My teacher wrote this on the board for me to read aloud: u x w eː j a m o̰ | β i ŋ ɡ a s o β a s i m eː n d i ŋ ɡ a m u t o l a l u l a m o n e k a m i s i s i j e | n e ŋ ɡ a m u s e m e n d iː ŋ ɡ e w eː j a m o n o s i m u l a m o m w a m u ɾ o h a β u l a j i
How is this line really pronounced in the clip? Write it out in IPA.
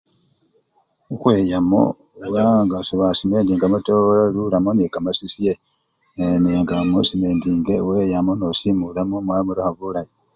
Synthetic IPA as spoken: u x w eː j a m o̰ | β a ŋ ɡ a s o β a s i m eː n d i ŋ ɡ a m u t o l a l u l a m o n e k a m a s i s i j e | n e ŋ ɡ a m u s i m e n d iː ŋ ɡ e w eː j a m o n o s i m u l a m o m w a m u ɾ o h a β u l a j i

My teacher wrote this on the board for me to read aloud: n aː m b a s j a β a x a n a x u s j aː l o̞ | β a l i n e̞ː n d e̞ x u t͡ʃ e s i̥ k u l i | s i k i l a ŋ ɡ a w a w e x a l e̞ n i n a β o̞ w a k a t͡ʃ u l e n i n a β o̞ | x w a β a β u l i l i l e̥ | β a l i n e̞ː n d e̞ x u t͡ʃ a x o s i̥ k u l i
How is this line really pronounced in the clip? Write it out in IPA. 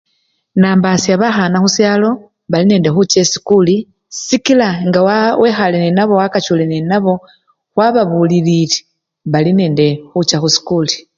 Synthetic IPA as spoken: n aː m b a s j a β a x a n a x u s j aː l o̞ | β a l i n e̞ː n d e̞ x u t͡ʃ e s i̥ k u l i | s i k i l a ŋ ɡ a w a w e x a l e̞ n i n a β o̞ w a k a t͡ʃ u l e n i n a β o̞ | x w a β a β u l i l i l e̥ | β a l i n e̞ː n d e̞ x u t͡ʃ a x u s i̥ k u l i

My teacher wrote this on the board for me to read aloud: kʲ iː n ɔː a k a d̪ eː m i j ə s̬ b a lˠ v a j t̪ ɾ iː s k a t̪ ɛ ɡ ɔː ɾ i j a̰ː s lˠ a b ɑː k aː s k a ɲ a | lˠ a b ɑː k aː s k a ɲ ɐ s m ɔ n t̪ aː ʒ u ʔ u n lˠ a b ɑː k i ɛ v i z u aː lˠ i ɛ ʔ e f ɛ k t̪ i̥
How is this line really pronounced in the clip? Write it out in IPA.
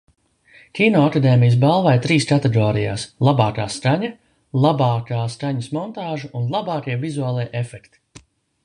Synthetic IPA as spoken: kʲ iː n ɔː a k a d̪ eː m i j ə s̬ b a lˠ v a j t̪ ɾ iː s k a t̪ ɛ ɡ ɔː ɾ i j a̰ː s lˠ a b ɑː k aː s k a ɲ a | lˠ a b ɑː k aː s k a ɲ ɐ s m ɔ n t̪ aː ʒ u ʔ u n lˠ a b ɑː k i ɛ v i z u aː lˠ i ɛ ʔ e f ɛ k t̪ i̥

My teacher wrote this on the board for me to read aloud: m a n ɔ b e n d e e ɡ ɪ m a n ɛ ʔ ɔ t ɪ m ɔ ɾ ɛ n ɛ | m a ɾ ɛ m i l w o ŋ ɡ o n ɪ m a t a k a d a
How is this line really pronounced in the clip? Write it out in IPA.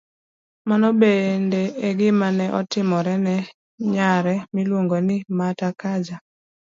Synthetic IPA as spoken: m a n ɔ b e n d e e ɡ ɪ m a n ɛ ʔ ɔ t ɪ m ɔ ɾ ɛ n ɛ | ɲ a ɾ ɛ m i l w o ŋ ɡ o n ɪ m a t a k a d͡ʒ a

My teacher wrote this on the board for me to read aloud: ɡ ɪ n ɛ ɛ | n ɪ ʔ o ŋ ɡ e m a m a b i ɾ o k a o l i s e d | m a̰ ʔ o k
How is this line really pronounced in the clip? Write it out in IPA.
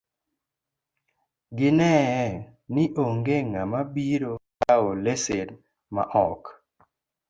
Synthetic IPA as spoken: ɡ ɪ n ɛ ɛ | n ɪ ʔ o ŋ ɡ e ŋ a m a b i ɾ o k a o l e s e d | m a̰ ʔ ɔ k

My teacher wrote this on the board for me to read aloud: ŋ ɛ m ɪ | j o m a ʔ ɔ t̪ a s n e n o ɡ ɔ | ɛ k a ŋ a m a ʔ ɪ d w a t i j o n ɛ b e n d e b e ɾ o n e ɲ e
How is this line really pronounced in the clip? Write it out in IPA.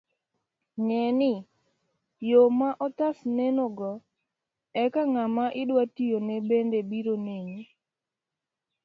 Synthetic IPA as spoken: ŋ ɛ n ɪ | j o m a ʔ ɔ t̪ a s n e n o ɡ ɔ | ɛ k a ŋ a m a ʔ ɪ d w a t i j o n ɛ b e n d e b i ɾ o n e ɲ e

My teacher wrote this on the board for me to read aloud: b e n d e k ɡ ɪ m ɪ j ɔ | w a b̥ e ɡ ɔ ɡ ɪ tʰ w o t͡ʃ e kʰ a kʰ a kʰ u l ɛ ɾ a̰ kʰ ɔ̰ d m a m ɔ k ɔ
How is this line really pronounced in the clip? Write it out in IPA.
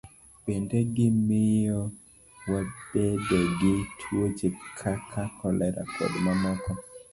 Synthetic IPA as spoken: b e n d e ɡ ɪ m ɪ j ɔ | w a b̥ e d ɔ ɡ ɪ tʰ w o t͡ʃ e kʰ a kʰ a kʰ ɔ l ɛ ɾ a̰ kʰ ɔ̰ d m a m ɔ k ɔ

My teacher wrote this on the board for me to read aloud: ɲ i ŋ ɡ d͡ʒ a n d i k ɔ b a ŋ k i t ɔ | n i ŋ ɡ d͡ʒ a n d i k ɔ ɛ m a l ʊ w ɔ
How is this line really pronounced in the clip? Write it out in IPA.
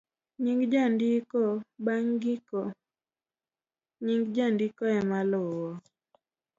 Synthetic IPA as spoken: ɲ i ŋ ɡ d͡ʒ a n d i k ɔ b a ŋ ɡ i k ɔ | ɲ i ŋ ɡ d͡ʒ a n d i k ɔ ɛ m a l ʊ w ɔ

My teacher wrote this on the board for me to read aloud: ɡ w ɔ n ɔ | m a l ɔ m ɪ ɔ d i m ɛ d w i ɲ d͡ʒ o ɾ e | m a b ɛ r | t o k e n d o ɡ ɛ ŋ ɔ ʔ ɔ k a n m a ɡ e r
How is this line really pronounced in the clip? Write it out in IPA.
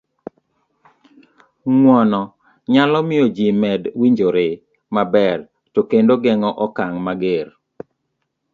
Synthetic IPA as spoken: ŋ w ɔ n ɔ | ɲ a l ɔ m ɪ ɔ d͡ʒ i m ɛ d w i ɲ d͡ʒ o ɾ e | m a b ɛ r | t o k e n d o ɡ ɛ ŋ ɔ ʔ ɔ k a ŋ m a ɡ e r

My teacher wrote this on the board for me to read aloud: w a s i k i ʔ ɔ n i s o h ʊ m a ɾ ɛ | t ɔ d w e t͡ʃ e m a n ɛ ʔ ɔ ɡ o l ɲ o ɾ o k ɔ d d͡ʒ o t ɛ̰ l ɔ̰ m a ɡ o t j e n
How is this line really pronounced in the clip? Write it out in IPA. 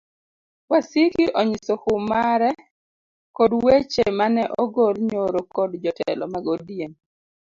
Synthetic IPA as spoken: w a s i k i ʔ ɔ ɲ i s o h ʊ m a ɾ ɛ | k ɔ d w e t͡ʃ e m a n ɛ ʔ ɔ ɡ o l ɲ o ɾ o k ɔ d d͡ʒ ɔ t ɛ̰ l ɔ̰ m a ɡ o d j e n

